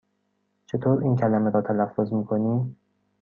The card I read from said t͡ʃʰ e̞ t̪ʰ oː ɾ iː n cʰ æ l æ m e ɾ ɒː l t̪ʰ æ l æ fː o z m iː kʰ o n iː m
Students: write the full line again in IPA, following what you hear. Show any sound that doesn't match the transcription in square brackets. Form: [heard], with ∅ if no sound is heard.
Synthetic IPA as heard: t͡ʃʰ e̞ t̪ʰ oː ɾ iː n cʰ æ l æ m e ɾ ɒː [∅] t̪ʰ æ l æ fː o z m iː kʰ o n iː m

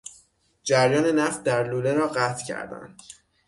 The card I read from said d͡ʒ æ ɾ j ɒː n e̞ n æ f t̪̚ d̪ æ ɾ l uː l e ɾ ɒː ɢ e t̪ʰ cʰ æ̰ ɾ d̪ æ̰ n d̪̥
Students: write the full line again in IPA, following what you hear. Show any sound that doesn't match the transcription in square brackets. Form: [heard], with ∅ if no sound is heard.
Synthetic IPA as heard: d͡ʒ æ ɾ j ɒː n e̞ n æ f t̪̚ d̪ æ ɾ l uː l e ɾ ɒː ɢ [æ] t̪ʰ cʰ æ̰ ɾ d̪ æ̰ n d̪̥

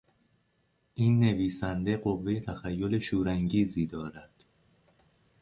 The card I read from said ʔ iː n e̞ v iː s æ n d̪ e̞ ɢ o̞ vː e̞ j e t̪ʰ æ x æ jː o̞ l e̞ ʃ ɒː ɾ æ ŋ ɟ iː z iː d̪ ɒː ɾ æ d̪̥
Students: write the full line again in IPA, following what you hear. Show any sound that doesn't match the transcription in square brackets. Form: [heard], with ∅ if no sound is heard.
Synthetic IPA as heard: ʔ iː [nː] e̞ v iː s æ n d̪ e̞ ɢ o̞ vː e̞ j e t̪ʰ æ x æ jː o̞ l e̞ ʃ [uː] ɾ æ ŋ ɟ iː z iː d̪ ɒː ɾ æ d̪̥

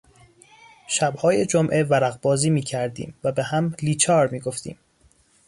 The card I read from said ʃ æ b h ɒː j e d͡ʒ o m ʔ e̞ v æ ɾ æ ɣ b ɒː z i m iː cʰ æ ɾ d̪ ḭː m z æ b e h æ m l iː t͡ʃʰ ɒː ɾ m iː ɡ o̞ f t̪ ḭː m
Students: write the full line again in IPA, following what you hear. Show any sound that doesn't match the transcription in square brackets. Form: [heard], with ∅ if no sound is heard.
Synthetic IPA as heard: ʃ æ b h ɒː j e d͡ʒ o m ʔ e̞ v æ ɾ æ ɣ b ɒː z [iː] m iː cʰ æ ɾ d̪ ḭː m [v] æ b e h æ m l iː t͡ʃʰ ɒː ɾ m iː ɡ o̞ f t̪ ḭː m

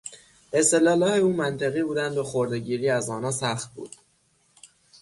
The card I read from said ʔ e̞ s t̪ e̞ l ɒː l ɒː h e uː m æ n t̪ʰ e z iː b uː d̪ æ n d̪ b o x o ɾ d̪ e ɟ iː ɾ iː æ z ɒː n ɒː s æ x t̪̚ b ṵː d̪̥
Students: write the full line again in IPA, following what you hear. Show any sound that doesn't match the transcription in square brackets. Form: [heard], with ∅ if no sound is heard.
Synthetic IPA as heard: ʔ e̞ s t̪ e̞ l ɒː l ɒː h e uː m æ n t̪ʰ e [ɣ] iː b uː d̪ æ n d̪ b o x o ɾ d̪ e ɟ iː ɾ iː æ z ɒː n ɒː s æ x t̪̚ b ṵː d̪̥

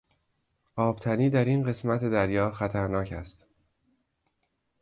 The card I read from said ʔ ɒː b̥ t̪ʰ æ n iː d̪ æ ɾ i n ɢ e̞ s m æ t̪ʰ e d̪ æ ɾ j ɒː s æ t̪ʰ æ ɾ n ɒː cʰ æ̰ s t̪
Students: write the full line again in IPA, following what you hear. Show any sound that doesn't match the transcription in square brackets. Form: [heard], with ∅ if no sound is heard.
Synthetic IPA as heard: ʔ ɒː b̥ t̪ʰ æ n iː d̪ æ ɾ i n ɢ e̞ s m æ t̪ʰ e d̪ æ ɾ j ɒː [x] æ t̪ʰ æ ɾ n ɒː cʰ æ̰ s t̪

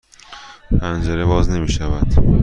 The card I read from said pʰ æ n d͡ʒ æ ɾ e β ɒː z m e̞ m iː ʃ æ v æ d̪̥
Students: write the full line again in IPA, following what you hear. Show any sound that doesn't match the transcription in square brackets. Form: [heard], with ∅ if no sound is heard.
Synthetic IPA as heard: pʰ æ n d͡ʒ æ ɾ e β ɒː z [n] e̞ m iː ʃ æ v æ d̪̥

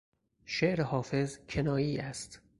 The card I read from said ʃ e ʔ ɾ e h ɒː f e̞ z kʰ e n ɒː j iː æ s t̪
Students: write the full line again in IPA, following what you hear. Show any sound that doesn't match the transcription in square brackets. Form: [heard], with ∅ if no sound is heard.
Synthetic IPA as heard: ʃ e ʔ ɾ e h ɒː f e̞ z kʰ e n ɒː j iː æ s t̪

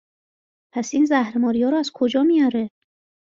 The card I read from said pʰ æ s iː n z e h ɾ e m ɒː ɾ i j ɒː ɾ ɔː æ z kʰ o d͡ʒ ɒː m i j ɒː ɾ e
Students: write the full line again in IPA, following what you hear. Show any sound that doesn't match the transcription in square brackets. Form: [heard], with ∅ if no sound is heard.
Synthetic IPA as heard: pʰ æ s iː n z [æ] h ɾ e m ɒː ɾ i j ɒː ɾ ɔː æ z kʰ o d͡ʒ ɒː m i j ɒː ɾ e

